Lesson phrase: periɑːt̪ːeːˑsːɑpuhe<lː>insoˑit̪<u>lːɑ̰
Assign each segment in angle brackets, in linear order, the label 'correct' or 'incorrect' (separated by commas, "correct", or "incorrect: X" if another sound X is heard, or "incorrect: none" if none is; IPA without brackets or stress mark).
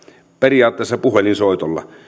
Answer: incorrect: l, incorrect: o